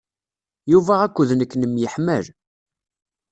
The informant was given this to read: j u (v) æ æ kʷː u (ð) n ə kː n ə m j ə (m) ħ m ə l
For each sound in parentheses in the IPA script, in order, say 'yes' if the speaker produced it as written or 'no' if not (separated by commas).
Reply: yes, yes, no